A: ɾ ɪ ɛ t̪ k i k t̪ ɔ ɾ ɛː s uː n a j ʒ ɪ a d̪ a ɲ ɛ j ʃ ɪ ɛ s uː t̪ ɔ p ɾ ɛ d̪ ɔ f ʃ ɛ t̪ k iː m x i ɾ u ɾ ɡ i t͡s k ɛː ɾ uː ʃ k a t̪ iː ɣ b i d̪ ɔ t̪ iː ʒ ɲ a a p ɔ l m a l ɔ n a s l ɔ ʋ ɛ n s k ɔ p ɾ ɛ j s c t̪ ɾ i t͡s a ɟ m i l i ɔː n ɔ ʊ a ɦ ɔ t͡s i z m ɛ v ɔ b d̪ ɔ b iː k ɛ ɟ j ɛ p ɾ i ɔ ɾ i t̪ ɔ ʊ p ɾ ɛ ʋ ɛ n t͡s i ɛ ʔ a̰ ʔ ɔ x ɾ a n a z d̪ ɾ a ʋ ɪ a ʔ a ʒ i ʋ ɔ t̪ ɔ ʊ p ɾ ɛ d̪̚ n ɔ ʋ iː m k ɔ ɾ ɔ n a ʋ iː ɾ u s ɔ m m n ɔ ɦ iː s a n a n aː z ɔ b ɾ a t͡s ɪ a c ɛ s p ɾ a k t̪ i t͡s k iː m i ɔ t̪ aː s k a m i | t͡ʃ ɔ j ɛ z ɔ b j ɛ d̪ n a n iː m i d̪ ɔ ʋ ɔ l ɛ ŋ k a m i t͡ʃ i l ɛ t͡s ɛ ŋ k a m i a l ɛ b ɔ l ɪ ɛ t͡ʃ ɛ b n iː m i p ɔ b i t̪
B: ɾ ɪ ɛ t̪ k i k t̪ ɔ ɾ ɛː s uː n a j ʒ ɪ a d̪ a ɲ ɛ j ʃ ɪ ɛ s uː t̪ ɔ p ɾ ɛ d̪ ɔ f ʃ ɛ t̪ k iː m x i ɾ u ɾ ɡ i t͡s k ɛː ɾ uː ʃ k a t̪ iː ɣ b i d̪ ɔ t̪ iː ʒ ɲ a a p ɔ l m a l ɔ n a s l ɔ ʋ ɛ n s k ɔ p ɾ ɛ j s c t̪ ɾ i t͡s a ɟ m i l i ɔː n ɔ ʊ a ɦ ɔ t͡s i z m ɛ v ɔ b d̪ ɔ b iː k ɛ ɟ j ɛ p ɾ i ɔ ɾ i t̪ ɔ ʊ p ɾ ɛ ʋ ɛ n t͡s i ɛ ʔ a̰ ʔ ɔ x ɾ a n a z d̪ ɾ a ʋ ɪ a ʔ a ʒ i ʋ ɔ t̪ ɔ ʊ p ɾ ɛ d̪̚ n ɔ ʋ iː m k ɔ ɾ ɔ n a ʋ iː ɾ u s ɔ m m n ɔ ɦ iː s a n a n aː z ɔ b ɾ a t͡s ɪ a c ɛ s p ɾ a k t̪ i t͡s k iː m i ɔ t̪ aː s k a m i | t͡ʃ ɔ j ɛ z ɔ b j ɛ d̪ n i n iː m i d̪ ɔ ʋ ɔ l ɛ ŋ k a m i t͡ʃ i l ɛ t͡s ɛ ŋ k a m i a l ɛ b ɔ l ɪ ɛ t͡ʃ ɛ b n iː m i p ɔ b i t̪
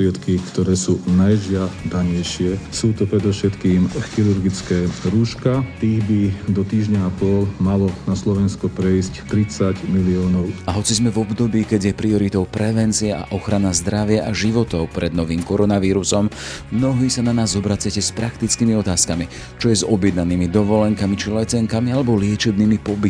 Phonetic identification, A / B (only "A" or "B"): A